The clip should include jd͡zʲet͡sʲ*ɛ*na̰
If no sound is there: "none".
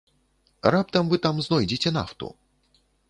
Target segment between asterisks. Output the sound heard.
ɛ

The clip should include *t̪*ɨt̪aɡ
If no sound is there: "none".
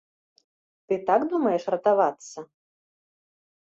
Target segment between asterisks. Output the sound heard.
t̪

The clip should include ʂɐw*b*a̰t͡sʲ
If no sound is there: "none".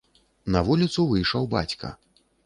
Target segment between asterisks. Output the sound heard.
b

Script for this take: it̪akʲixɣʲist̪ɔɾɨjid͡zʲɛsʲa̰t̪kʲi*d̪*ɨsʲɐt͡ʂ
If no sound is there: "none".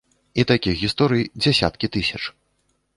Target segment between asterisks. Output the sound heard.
t̪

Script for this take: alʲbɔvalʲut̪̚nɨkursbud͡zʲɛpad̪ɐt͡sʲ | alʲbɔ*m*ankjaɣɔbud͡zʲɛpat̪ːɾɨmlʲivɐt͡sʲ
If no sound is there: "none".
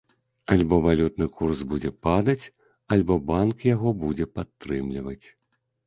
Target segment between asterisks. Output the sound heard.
b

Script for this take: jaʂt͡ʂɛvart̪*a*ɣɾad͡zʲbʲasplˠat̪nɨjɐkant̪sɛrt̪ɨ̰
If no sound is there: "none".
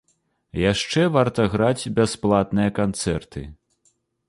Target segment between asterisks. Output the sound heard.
ɐ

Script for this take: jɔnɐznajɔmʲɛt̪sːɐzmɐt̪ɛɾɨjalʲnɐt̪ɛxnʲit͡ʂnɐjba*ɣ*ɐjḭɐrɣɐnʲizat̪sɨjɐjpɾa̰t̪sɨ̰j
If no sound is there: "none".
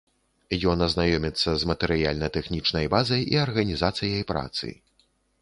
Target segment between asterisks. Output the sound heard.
z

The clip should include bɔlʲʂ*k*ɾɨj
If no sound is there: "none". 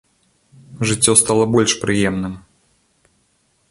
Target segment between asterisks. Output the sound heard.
p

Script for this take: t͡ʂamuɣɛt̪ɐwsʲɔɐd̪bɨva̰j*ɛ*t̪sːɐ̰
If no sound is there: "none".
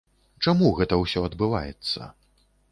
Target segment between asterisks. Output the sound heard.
ɛ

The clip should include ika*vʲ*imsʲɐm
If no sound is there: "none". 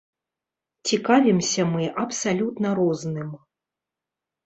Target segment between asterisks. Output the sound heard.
vʲ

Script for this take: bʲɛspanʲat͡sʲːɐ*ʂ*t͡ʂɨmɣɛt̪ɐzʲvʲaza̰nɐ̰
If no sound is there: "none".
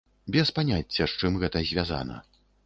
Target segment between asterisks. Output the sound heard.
ʂ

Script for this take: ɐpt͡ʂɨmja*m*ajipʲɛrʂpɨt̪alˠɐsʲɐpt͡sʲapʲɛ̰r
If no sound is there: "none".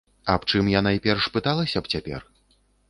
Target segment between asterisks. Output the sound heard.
n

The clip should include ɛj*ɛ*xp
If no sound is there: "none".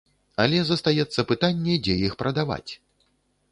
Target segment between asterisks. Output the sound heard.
i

